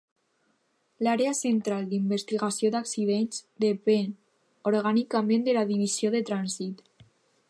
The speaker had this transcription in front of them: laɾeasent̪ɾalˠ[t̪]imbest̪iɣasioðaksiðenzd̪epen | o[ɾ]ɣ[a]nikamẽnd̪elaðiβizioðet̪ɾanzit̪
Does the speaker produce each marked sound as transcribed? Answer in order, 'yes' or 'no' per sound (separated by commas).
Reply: no, yes, yes